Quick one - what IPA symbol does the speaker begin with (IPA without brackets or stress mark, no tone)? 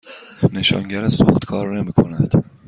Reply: n